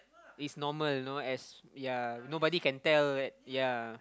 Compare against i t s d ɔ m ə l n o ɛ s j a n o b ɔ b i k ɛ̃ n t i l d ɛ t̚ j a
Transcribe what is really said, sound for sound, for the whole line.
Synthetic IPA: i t s n ɔ m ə l n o ɛ s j a n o b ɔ d i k ɛ̃ n t ɛ l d ɛ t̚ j a